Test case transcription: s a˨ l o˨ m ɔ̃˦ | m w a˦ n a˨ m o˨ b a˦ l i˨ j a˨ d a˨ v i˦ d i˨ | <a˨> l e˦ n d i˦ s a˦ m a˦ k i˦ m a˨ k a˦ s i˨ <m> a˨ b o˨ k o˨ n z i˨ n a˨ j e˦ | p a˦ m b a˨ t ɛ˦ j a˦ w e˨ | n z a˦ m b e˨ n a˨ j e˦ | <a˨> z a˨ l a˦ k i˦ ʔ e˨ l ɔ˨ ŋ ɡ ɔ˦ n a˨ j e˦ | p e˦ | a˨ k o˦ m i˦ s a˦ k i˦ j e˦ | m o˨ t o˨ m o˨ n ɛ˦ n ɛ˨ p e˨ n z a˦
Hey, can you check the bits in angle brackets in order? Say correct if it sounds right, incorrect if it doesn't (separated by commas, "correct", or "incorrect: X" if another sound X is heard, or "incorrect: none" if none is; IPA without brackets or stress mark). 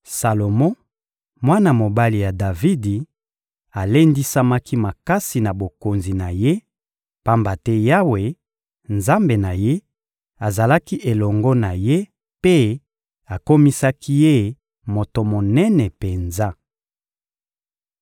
correct, incorrect: n, correct